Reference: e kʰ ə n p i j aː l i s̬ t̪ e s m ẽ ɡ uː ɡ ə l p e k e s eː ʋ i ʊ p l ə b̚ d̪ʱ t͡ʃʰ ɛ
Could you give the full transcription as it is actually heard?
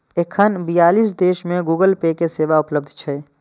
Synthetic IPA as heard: e kʰ ə n b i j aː l i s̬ d̪ e ʃ m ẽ ɡ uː ɡ ə l p e k e s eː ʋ a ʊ p l ə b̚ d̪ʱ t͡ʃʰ ɛ